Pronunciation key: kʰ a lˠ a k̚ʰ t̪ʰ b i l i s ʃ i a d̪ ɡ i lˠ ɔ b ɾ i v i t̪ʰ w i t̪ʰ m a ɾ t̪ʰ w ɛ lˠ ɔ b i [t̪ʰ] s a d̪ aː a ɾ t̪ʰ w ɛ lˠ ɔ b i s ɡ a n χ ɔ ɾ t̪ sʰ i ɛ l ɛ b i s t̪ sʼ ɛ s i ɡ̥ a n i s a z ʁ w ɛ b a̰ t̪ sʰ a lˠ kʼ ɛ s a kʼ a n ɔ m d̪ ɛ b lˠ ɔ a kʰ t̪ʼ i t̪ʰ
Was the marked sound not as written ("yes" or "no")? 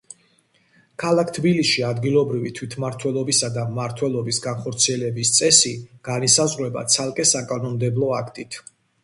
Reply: yes